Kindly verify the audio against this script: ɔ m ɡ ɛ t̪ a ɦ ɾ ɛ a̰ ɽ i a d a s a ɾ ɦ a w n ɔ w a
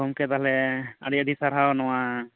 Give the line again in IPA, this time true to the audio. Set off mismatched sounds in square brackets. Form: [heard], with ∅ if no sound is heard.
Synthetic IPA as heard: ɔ m [k] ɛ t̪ a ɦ [l] ɛ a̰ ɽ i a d [i] s a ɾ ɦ a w n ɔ w a